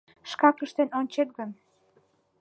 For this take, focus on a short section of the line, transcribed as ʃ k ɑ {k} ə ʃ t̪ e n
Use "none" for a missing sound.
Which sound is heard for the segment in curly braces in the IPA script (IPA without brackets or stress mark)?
k